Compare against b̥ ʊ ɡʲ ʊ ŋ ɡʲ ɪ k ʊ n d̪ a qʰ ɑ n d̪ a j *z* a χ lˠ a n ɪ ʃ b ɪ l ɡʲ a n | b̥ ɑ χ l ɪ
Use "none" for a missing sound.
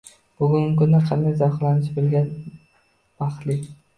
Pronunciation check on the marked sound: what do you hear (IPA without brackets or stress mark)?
z